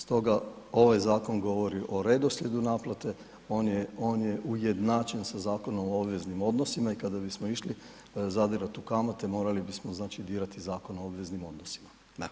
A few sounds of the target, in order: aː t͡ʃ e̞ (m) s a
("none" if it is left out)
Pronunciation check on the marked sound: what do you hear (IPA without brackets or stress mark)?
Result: n